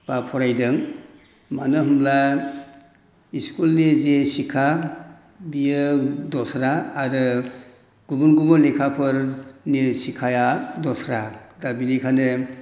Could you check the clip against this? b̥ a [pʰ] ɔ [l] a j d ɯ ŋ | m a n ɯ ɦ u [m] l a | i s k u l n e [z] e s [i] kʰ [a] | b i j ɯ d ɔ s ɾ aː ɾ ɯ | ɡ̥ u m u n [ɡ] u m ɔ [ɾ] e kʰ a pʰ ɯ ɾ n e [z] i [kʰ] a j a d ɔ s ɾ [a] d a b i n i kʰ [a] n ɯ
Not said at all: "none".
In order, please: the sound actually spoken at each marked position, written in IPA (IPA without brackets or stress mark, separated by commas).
pʰ, ɾ, m, z, i, a, ɡ, l, s, kʰ, a, a